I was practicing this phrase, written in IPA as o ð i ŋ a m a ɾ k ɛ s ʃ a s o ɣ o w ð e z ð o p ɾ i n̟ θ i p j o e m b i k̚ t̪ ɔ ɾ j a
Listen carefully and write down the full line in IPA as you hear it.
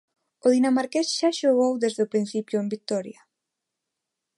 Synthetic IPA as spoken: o ð i n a m a ɾ k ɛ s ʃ a ʃ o ɣ o w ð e z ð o p ɾ i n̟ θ i p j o e m b i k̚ t̪ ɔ ɾ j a